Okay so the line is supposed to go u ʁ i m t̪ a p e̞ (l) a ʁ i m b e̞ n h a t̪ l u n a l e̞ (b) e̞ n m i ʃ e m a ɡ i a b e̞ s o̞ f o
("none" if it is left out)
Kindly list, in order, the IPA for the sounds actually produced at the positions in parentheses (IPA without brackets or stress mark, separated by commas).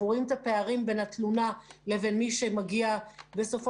none, v